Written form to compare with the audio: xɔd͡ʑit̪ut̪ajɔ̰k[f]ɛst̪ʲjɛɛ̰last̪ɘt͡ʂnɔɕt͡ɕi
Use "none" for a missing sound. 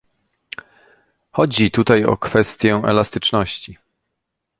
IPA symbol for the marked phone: f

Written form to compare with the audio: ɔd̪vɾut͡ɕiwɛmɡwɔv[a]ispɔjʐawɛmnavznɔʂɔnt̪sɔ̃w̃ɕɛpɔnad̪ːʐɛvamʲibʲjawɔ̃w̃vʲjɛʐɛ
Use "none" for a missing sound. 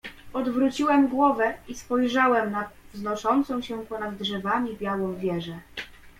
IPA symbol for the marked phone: ɛ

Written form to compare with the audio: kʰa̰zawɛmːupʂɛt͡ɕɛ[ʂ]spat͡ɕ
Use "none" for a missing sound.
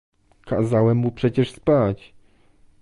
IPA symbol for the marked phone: ʂ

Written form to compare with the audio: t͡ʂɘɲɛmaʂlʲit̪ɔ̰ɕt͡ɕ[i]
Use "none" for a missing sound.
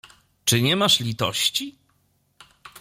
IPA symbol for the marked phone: i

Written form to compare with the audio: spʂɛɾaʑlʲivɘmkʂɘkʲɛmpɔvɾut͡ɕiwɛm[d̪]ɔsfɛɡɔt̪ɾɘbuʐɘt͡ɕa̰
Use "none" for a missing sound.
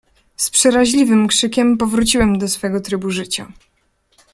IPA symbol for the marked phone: d̪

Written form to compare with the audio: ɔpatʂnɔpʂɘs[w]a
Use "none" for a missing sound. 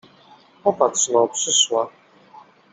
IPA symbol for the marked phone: w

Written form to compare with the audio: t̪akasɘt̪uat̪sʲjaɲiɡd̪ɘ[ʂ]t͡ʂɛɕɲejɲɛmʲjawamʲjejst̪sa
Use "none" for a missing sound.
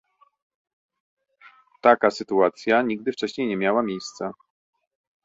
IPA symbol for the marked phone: f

